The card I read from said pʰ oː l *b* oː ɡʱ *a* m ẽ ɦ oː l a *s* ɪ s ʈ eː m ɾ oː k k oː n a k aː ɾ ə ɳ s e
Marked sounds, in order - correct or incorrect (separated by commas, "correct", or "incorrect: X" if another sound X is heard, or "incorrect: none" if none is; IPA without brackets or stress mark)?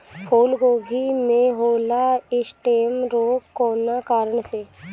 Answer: incorrect: ɡ, incorrect: i, incorrect: none